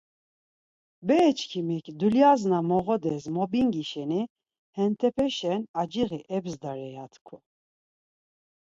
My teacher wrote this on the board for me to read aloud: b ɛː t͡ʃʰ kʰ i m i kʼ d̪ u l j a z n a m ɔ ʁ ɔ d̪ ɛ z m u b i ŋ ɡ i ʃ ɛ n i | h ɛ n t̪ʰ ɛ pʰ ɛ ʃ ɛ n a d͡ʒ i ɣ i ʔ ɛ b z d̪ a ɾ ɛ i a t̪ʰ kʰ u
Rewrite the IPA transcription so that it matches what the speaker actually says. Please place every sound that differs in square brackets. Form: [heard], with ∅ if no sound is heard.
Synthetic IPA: b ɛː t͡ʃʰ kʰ i m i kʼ d̪ u l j a z n a m ɔ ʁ ɔ d̪ ɛ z m [ɔ] b i ŋ ɡ i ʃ ɛ n i | h ɛ n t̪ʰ ɛ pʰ ɛ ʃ ɛ n a d͡ʒ i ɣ i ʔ ɛ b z d̪ a ɾ ɛ [j] a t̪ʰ kʰ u